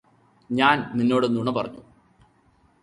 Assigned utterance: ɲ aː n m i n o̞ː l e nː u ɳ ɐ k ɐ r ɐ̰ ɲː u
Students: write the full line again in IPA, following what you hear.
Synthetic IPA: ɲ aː n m i nː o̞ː ɽ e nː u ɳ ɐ p ɐ r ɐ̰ ɲː u